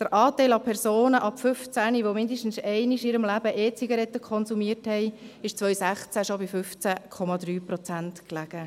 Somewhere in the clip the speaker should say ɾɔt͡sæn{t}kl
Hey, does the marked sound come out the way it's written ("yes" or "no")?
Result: yes